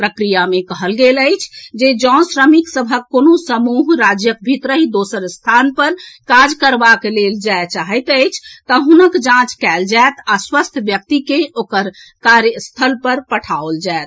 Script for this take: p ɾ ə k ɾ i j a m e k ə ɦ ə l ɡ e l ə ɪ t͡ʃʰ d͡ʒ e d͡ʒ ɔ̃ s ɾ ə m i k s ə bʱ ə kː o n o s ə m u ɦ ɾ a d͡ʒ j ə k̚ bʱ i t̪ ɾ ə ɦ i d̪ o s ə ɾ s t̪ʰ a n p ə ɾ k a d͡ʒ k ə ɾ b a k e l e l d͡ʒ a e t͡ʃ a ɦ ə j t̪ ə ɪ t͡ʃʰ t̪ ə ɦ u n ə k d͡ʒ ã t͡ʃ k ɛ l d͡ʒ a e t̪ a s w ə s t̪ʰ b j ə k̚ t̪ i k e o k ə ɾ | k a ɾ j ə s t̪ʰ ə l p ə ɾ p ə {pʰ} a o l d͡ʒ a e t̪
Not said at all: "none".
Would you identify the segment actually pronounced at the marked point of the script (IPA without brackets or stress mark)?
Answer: ʈʰ